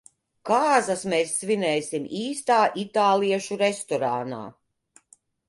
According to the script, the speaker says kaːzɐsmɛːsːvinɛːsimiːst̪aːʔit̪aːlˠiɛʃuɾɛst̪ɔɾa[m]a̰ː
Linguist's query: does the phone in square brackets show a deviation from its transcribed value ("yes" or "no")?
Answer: yes